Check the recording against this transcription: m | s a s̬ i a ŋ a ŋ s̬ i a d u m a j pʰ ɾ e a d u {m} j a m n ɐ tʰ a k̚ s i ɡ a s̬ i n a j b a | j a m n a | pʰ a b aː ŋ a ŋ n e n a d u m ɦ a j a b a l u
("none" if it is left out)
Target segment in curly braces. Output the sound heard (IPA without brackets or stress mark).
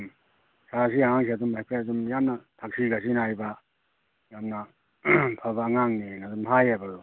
m